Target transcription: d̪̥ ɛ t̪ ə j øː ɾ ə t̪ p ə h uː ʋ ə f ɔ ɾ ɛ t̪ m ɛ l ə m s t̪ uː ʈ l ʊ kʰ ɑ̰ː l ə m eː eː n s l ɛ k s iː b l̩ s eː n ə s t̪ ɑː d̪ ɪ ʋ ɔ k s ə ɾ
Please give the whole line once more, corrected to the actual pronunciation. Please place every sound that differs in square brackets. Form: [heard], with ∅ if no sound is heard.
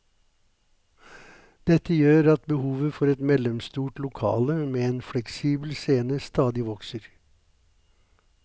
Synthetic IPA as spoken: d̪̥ ɛ t̪ ə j øː ɾ [ɑ] t̪ [b] ə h uː ʋ ə f ɔ ɾ ɛ t̪ m ɛ l ə m s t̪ uː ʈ l ʊ kʰ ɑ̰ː l ə m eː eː n [f] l ɛ k s iː b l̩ s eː n ə s t̪ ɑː d̪ ɪ ʋ ɔ k s ə ɾ